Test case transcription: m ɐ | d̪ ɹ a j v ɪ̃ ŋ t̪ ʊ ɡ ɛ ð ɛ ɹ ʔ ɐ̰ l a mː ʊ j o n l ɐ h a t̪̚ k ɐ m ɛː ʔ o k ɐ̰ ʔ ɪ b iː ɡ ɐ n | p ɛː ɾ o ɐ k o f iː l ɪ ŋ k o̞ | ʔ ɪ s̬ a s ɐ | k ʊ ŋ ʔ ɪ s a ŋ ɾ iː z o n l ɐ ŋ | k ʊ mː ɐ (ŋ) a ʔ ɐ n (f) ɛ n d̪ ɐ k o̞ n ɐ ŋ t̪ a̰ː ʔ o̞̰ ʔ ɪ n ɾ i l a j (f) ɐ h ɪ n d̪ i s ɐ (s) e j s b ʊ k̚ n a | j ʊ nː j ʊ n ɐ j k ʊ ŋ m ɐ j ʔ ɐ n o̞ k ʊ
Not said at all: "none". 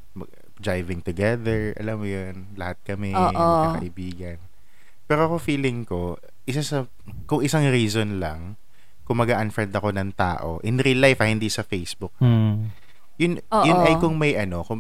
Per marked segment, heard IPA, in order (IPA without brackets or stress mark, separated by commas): ɡ, f, f, f